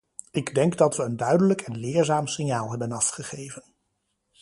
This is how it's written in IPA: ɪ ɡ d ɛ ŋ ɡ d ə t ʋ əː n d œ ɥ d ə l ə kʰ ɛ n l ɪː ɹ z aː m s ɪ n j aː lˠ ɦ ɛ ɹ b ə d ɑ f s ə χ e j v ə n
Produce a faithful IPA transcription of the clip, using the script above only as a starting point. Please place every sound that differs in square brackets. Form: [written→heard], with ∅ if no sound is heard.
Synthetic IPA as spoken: ɪ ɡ d ɛ ŋ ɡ d [ə→ɑ] t ʋ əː n d œ ɥ d ə l ə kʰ ɛ n l ɪː ɹ z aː m s ɪ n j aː lˠ ɦ ɛ [ɹ→∅] b ə [d→n] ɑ f [s→χ] ə χ e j v ə n